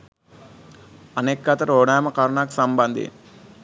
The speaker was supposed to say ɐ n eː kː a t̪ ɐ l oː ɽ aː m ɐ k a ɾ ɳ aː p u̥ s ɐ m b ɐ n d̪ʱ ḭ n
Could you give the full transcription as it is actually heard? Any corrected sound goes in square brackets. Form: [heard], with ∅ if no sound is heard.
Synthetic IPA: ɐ n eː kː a t̪ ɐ [ɾ] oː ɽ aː m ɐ k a ɾ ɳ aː [k] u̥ s ɐ m b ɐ n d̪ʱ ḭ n